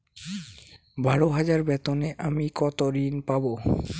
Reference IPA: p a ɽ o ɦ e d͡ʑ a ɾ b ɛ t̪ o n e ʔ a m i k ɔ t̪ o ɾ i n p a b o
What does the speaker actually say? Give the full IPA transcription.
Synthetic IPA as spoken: b a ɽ o ɦ a d͡ʑ a ɾ b ɛ t̪ o n e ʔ a m i k ɔ t̪ o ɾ i n p a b o